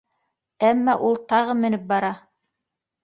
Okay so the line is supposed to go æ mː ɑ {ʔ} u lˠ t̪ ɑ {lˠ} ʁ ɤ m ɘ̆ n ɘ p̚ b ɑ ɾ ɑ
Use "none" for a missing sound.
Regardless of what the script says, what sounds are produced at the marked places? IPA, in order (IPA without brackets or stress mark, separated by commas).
ʔ, none